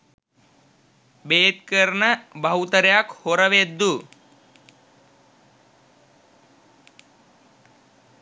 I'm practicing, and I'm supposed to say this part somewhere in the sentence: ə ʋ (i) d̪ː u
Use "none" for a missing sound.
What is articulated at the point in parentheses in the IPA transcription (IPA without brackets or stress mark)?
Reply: e